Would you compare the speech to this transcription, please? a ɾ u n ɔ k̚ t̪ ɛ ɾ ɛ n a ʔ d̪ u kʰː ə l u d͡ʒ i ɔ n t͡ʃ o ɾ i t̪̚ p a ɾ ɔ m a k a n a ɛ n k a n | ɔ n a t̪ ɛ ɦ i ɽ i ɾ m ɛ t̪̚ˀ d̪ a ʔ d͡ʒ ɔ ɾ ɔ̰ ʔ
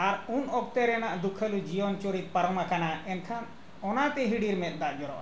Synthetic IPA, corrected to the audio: a ɾ u n ɔ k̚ t̪ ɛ ɾ ɛ n a ʔ d̪ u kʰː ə l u d͡ʒ i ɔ n t͡ʃ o ɾ i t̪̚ p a ɾ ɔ m a k a n a ɛ n kʰ a n | ɔ n a t̪ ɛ ɦ i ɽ i ɾ m ɛ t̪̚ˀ d̪ a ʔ d͡ʒ ɔ ɾ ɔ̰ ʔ